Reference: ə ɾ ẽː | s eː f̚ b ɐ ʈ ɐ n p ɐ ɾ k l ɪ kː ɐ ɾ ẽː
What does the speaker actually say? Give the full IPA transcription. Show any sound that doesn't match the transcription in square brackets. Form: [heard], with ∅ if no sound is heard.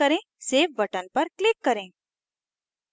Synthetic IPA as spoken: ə ɾ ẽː | s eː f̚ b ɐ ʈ [ə] n p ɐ ɾ k l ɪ kː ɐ ɾ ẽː